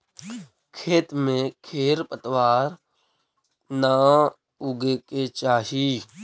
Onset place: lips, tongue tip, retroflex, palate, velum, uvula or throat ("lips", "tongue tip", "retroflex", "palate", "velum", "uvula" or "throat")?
velum